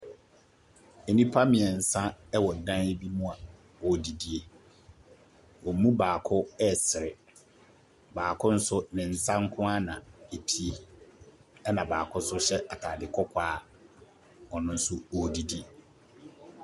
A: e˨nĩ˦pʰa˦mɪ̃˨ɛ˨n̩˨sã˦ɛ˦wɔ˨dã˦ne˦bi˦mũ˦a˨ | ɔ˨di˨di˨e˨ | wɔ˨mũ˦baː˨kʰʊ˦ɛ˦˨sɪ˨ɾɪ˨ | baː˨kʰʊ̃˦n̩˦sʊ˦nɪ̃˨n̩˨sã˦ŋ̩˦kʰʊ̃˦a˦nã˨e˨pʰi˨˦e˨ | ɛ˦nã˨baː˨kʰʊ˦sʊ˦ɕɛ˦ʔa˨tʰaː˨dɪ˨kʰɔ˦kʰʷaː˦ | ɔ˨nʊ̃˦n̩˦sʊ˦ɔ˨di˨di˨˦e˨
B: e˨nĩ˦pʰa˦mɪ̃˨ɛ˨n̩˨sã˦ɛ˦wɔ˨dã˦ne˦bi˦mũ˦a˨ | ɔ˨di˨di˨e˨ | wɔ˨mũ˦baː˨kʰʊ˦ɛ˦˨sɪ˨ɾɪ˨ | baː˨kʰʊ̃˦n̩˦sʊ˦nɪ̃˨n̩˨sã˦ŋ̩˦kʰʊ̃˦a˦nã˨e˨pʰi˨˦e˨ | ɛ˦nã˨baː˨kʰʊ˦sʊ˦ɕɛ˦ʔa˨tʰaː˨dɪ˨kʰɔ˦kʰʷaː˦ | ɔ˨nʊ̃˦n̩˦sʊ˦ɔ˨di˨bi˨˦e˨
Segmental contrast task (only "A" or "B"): A